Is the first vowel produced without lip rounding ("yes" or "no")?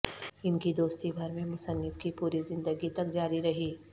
yes